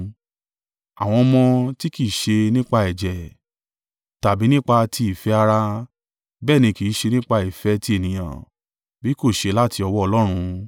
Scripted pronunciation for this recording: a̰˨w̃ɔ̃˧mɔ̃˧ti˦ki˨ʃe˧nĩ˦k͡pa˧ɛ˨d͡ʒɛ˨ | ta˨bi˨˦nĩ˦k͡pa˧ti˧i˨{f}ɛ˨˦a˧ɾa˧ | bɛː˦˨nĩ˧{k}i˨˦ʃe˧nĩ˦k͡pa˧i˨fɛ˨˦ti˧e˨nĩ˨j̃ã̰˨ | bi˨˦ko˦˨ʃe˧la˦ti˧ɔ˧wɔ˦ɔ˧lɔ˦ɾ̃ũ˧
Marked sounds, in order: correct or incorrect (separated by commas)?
correct, correct